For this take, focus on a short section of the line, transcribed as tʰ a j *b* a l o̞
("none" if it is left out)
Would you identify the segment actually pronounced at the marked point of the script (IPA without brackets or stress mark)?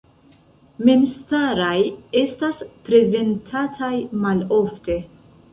m